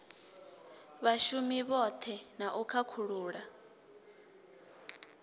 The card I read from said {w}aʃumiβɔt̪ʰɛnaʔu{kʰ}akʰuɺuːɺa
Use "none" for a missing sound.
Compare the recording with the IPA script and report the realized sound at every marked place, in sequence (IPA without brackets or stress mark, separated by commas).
β, kʰ